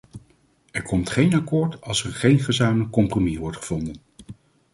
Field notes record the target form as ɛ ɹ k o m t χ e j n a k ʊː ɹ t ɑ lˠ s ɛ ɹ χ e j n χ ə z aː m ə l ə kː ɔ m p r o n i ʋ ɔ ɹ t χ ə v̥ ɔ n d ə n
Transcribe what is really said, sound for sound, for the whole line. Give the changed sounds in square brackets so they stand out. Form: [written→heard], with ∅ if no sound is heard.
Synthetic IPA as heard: ɛ ɹ k [o→ɔ] m t χ e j n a k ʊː ɹ t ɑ lˠ s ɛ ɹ χ e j n χ ə z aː m ə l ə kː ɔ m p r o [n→m] i ʋ ɔ ɹ t χ ə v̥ ɔ n d ə n